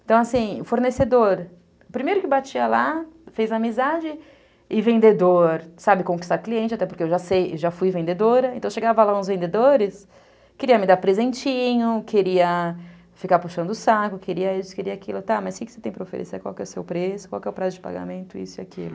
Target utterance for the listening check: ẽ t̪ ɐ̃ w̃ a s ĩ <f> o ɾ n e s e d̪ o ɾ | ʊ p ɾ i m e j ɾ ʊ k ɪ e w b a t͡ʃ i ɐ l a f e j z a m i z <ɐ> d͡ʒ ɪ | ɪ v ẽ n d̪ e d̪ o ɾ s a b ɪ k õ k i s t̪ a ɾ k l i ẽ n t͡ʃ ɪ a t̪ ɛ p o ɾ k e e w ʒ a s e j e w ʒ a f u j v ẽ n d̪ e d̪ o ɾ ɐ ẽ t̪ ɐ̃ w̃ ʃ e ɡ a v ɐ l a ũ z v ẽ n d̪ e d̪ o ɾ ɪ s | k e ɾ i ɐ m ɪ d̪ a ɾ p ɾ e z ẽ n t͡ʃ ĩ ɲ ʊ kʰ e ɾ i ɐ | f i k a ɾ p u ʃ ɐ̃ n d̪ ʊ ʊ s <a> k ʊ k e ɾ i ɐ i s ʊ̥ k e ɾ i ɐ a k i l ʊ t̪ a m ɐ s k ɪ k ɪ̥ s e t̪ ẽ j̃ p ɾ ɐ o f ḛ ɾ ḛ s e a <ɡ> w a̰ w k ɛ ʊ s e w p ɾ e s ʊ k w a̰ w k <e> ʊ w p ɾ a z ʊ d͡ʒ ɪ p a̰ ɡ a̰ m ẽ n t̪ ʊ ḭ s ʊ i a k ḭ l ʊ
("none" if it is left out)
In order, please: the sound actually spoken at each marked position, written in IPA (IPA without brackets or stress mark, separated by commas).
f, a, a, k, ɛ